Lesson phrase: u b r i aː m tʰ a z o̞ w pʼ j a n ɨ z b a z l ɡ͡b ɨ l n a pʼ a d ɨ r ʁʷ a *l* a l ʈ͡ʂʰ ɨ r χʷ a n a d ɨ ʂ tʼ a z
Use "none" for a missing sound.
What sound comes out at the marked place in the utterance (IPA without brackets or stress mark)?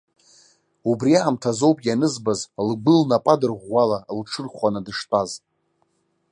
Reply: l